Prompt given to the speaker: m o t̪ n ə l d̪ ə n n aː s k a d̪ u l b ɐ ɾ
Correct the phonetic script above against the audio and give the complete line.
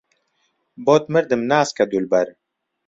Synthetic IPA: b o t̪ m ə ɾ d̪ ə m n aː s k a d̪ u l b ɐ ɾ